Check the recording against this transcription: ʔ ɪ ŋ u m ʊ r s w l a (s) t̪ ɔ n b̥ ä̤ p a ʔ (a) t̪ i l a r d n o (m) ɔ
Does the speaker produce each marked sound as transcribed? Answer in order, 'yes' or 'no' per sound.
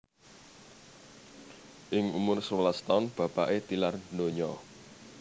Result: yes, no, no

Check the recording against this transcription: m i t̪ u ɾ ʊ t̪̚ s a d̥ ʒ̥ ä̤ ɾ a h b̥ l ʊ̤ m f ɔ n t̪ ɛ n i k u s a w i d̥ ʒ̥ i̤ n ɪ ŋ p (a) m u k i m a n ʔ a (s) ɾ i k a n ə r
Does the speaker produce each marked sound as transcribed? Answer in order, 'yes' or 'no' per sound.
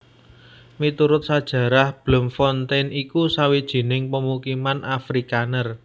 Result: no, no

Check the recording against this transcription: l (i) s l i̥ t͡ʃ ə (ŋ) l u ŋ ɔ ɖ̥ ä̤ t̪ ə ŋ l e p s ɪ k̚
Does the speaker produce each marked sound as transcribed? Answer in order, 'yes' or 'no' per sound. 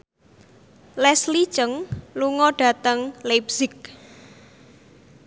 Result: no, yes

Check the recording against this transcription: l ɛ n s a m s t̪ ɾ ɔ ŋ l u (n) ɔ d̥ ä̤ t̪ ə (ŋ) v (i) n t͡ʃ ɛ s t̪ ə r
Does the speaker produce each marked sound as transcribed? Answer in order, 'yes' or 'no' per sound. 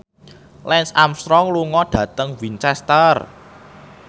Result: no, yes, yes

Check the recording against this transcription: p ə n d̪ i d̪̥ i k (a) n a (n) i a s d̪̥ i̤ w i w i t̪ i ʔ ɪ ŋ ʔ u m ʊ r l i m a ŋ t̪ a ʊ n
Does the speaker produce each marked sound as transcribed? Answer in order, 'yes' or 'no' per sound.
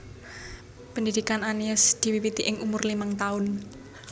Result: yes, yes

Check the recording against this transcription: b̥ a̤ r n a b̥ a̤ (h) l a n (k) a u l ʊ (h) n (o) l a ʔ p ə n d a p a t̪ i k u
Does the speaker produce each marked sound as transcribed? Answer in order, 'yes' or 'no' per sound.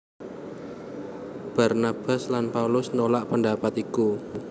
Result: no, no, no, yes

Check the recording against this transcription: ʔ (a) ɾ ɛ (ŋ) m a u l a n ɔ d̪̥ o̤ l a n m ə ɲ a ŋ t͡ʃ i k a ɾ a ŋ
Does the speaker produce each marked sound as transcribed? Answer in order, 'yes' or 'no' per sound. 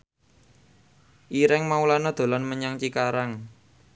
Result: no, yes

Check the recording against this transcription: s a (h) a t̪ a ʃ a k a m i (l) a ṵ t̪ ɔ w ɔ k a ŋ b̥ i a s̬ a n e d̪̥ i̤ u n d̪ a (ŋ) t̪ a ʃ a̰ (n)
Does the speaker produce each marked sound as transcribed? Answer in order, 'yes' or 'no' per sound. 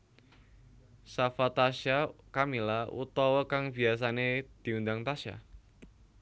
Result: no, yes, yes, no

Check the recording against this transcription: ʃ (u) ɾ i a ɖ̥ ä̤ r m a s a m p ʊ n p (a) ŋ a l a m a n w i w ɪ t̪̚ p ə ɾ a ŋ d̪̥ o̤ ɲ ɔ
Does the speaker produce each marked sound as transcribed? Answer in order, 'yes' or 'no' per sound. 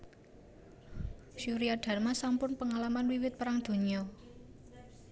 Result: yes, no

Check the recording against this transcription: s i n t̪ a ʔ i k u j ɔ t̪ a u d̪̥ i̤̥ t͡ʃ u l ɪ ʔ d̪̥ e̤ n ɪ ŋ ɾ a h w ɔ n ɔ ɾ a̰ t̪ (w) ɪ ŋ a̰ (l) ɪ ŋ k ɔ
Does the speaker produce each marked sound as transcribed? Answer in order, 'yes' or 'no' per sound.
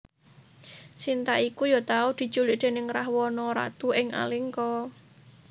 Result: no, yes

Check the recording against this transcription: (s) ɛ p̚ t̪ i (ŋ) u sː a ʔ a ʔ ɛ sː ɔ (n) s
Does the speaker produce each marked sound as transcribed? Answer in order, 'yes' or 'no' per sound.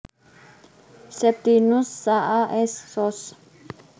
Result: yes, no, no

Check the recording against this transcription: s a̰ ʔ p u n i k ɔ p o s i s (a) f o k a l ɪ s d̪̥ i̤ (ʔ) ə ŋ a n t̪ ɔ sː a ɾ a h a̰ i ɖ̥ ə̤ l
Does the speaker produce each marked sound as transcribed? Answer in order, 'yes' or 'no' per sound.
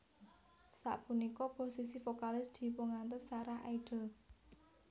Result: no, no

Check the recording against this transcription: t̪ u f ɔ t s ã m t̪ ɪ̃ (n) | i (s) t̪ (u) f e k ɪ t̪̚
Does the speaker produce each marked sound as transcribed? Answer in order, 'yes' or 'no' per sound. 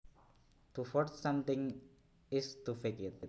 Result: no, yes, yes

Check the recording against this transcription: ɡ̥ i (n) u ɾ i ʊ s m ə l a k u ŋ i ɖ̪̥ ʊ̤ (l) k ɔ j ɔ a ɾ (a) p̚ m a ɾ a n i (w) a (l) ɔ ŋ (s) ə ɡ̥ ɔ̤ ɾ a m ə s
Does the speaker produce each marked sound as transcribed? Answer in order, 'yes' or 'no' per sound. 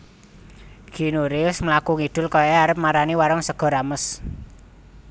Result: yes, yes, no, yes, no, yes

